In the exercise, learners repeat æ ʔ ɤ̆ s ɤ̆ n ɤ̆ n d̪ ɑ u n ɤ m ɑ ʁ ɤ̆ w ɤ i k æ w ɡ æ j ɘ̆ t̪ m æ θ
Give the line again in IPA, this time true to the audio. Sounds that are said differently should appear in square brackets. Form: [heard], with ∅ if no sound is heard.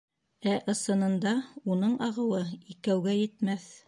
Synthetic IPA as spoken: æ ʔ ɤ̆ s ɤ̆ n ɤ̆ n d̪ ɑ u n ɤ [ɴ] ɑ ʁ ɤ̆ w ɤ i k æ w ɡ æ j ɘ̆ t̪ m æ θ